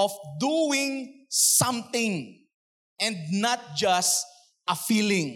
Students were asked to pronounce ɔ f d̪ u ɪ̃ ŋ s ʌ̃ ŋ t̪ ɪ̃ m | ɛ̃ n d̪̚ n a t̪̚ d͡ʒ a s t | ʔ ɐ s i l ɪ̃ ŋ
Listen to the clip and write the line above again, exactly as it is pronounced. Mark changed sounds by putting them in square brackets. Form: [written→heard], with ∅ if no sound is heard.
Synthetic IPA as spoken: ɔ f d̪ u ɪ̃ ŋ s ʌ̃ [ŋ→m] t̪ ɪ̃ [m→ŋ] | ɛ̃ n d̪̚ n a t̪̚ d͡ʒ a s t | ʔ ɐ [s→f] i l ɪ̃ ŋ